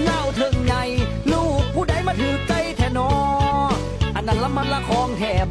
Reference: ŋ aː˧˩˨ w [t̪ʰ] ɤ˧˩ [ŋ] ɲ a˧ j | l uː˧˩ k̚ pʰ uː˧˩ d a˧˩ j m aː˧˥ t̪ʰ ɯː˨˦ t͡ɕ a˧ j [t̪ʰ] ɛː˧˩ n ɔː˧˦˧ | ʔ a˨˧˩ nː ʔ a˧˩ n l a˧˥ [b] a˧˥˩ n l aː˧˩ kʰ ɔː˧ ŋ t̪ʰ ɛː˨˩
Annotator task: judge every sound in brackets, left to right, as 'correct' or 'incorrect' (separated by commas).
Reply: correct, correct, correct, incorrect